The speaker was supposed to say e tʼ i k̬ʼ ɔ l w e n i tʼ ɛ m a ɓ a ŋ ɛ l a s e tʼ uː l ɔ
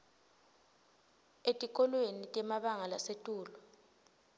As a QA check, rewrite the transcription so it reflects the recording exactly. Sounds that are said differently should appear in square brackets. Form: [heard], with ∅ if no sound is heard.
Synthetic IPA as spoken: e tʼ i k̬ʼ ɔ l w e n i tʼ ɛ m a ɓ a ŋ [a] l a s e tʼ uː l ɔ